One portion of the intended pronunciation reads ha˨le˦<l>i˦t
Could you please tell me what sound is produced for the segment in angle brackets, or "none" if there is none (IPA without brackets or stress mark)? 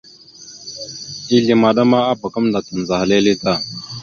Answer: l